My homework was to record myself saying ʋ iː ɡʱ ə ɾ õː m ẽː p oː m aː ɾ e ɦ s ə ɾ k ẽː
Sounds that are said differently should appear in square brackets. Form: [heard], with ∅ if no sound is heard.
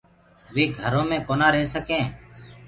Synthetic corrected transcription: ʋ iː ɡʱ ə ɾ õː m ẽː [k] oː [n] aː ɾ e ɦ s ə [∅] k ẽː